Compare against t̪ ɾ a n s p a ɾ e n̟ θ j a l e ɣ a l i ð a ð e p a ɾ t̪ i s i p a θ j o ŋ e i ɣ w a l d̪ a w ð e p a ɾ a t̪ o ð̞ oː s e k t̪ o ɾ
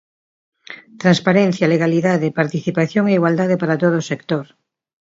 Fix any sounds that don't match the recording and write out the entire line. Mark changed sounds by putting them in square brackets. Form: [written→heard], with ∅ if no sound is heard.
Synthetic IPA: t̪ ɾ a n s p a ɾ e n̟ θ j a l e ɣ a l i ð a ð e p a ɾ t̪ i [s→θ] i p a θ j o ŋ e i ɣ w a l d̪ a [w→∅] ð e p a ɾ a t̪ o ð̞ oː s e k t̪ o ɾ